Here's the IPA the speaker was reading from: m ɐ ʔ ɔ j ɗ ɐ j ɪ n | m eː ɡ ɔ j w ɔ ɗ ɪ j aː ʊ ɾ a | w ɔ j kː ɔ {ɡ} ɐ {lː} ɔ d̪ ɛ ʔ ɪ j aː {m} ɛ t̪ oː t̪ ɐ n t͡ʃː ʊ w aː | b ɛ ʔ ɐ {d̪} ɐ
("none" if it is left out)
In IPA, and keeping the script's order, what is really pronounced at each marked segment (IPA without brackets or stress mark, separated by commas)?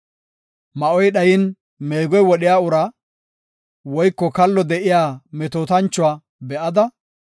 k, lː, m, d̪